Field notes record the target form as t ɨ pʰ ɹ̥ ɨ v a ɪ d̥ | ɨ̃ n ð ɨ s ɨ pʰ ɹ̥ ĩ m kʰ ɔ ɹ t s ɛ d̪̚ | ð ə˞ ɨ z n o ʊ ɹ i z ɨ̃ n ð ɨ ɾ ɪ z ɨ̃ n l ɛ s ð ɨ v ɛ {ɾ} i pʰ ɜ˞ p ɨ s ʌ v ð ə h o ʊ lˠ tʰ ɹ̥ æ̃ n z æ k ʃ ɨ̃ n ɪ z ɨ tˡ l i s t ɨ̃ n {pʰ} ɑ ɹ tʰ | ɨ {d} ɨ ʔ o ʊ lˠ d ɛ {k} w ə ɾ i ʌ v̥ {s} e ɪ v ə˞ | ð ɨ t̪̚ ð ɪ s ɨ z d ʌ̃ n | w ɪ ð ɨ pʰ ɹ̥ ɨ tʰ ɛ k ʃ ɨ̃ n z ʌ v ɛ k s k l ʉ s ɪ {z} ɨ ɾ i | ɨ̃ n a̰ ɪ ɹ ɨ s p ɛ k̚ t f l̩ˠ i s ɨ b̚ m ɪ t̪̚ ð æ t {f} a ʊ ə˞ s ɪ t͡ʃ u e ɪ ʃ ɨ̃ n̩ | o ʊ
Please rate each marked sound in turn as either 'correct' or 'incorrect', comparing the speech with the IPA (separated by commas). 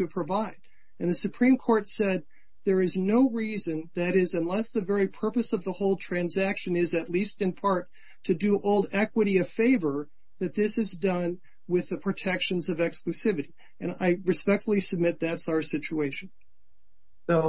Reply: incorrect, correct, correct, correct, incorrect, incorrect, incorrect